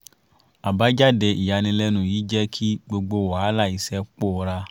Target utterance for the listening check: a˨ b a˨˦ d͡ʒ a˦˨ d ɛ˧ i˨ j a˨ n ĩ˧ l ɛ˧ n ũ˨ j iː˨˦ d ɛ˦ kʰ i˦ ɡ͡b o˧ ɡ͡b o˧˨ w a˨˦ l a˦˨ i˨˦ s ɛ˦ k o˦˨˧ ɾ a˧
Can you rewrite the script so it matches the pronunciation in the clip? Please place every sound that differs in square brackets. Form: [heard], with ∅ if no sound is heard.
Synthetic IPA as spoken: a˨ b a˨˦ d͡ʒ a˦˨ d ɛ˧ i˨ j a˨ n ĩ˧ l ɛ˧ n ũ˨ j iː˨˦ [d͡ʒ] ɛ˦ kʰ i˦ ɡ͡b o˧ ɡ͡b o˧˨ w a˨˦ l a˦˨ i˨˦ s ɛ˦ [k͡p] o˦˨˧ ɾ a˧